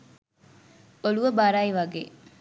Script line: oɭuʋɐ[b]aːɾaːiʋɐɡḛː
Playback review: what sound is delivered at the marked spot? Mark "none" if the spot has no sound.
b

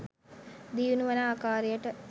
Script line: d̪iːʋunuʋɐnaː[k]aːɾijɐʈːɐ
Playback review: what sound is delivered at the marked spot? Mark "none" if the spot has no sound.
k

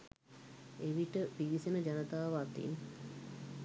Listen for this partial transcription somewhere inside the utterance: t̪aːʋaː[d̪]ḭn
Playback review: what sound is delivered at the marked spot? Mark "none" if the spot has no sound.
t̪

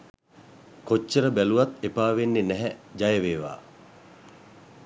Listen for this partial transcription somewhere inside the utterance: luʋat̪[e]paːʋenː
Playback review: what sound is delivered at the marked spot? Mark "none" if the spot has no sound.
e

